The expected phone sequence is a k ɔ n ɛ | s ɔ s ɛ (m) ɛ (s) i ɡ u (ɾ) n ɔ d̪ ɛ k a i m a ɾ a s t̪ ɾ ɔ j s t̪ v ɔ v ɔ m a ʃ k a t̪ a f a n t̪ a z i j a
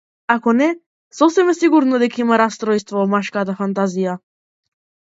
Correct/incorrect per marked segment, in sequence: correct, correct, correct

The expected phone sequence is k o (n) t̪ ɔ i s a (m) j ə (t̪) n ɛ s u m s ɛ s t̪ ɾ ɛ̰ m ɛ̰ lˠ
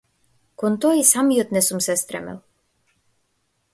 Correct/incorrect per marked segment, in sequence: correct, correct, correct

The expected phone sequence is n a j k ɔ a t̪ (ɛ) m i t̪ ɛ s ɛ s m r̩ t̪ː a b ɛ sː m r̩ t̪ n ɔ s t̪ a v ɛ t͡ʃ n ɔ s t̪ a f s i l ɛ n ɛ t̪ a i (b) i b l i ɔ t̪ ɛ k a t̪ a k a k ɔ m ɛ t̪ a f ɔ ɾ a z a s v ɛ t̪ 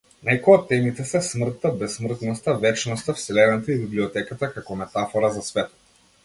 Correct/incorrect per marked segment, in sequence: correct, correct

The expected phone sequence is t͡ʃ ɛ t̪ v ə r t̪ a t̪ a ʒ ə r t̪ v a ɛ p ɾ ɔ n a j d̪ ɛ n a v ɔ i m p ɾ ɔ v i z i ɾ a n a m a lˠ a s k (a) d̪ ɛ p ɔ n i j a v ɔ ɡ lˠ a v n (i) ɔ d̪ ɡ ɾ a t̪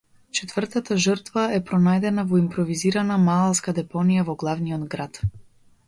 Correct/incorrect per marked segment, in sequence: correct, correct

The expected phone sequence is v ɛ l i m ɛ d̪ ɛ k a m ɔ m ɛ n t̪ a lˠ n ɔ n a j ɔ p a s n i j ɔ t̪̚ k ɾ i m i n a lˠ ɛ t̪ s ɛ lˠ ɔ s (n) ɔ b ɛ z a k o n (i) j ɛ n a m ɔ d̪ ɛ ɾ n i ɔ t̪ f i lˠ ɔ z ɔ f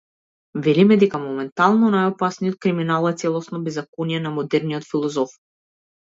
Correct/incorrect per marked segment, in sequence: correct, correct

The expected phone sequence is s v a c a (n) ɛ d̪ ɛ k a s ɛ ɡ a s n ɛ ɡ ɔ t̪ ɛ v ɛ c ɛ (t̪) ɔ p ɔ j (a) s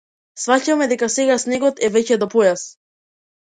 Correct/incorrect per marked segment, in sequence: incorrect, incorrect, correct

